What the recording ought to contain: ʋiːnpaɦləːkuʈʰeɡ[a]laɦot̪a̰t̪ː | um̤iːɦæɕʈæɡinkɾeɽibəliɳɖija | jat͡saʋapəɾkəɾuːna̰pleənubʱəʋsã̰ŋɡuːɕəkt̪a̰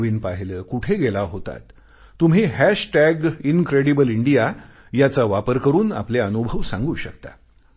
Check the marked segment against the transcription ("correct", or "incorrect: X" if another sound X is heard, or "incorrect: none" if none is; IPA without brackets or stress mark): incorrect: e